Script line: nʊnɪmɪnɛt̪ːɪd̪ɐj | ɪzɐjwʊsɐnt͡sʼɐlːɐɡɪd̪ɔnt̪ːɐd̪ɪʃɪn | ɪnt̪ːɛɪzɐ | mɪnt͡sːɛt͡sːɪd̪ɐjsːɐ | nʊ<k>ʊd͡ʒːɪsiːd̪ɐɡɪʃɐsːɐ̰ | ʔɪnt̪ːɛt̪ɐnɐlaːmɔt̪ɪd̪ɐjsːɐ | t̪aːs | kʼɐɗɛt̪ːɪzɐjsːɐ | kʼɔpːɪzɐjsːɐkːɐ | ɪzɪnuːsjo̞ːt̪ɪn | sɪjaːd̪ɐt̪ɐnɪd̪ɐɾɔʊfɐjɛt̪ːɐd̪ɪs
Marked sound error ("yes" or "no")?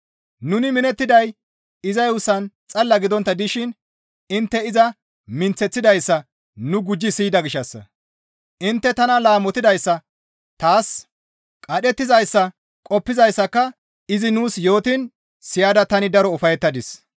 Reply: yes